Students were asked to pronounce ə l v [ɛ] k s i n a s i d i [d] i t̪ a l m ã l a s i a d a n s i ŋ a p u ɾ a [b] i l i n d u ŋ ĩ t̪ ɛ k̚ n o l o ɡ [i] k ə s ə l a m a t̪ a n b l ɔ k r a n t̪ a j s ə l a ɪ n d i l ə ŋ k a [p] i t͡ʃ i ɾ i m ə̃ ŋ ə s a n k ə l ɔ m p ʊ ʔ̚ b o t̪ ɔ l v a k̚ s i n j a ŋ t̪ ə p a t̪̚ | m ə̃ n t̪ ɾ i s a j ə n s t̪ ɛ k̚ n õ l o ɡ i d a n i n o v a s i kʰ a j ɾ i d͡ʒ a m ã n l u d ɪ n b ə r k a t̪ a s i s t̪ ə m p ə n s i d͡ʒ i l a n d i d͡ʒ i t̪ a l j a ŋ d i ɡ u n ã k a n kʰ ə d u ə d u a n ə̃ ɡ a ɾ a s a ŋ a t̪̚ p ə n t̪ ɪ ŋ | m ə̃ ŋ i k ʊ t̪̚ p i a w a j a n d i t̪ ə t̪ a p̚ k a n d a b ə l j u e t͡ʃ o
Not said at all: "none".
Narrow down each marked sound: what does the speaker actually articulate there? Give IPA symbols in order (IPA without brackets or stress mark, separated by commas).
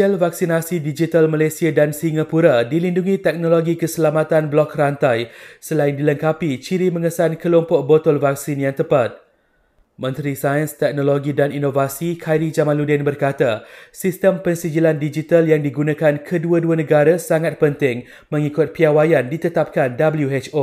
a, d͡ʒ, d, i, p